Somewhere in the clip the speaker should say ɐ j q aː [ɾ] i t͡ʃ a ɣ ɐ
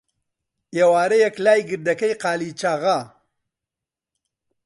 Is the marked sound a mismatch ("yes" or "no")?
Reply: yes